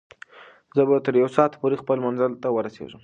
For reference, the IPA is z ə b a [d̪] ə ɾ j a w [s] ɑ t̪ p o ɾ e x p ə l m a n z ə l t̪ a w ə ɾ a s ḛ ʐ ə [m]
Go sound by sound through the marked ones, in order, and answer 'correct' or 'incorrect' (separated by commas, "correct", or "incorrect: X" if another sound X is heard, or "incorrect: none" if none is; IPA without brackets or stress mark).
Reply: incorrect: t̪, correct, correct